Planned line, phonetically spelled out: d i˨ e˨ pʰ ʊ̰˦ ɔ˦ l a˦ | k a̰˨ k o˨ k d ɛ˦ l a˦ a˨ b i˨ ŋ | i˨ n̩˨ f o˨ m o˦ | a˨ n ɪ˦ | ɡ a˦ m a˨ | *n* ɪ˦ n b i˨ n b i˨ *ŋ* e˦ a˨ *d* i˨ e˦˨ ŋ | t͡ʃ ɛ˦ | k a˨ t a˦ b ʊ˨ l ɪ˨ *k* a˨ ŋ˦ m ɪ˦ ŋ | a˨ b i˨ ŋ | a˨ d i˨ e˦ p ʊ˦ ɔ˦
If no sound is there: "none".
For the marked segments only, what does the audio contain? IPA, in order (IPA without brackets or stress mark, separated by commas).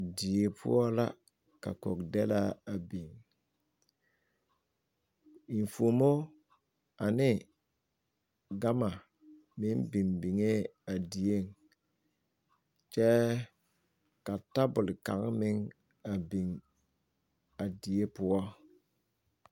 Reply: m, ŋ, d, k